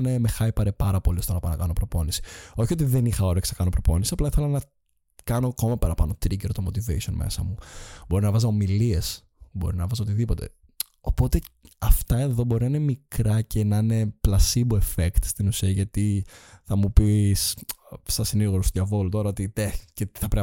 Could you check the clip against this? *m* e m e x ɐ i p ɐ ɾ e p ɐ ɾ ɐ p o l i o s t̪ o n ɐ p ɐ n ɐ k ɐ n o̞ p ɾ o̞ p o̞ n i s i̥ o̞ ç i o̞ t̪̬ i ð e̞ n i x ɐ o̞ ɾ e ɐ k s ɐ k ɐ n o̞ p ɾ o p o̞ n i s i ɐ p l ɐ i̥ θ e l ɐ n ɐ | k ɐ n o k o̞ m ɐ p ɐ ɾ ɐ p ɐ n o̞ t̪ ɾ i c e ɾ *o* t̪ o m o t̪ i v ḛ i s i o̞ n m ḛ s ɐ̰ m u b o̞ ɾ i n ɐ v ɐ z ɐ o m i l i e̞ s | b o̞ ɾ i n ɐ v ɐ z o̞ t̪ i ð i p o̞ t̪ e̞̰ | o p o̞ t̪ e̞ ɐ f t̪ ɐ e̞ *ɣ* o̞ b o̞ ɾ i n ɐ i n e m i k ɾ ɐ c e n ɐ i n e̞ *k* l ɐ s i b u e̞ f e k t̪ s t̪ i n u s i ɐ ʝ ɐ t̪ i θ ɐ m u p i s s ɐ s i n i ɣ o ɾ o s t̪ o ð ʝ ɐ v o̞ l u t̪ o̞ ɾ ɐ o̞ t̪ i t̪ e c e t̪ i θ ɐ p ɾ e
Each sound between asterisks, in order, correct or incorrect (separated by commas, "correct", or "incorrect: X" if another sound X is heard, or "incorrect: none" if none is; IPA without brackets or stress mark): incorrect: n, correct, incorrect: ð, incorrect: p